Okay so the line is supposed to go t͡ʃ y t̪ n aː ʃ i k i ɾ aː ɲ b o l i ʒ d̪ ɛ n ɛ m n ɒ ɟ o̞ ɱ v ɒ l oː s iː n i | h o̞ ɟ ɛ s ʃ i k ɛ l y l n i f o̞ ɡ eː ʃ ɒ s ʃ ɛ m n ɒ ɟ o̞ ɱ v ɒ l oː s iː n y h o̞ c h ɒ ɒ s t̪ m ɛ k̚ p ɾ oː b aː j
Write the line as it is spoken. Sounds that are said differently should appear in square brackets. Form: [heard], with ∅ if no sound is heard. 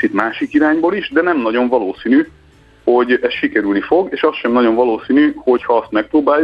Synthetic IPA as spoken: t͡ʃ [i] t̪ [m] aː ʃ i k i ɾ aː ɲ b o l i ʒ d̪ ɛ n ɛ m n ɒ ɟ o̞ ɱ v ɒ l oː s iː n [y] | h o̞ ɟ ɛ s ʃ i k ɛ [ɾ] y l n i f o̞ ɡ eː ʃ ɒ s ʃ ɛ m n ɒ ɟ o̞ ɱ v ɒ l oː s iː n y h o̞ c h ɒ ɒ s t̪ m ɛ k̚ p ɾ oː b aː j